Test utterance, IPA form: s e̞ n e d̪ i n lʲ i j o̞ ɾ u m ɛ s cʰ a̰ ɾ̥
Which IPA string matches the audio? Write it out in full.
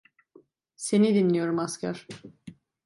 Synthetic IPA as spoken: s e̞ n i d̪ i n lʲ i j o̞ ɾ u m a s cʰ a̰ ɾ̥